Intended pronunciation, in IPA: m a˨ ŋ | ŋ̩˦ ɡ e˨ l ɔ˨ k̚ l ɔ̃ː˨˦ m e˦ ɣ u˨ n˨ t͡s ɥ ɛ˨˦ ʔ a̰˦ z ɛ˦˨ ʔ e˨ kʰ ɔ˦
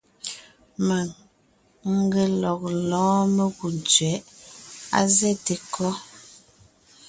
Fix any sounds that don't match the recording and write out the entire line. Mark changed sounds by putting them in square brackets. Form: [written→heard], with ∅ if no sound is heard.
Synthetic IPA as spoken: m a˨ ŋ | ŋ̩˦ ɡ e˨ l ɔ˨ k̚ l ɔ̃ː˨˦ m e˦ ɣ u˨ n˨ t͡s ɥ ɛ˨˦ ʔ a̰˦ z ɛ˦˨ [ʔ→t] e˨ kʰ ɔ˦